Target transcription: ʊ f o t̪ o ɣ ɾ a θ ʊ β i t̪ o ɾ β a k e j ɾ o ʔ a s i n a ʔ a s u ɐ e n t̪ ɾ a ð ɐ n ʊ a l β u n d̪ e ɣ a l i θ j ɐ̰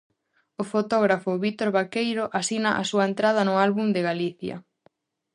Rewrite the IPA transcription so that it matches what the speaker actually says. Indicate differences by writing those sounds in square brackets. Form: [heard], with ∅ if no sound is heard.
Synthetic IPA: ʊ f o t̪ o ɣ ɾ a [f] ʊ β i t̪ o ɾ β a k e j ɾ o ʔ a s i n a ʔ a s u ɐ e n t̪ ɾ a ð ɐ n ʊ a l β u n d̪ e ɣ a l i θ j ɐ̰